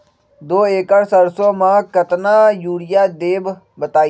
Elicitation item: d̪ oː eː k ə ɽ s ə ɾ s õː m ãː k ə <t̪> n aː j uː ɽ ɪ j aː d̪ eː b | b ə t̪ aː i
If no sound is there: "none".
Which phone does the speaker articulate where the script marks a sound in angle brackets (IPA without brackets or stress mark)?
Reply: t̪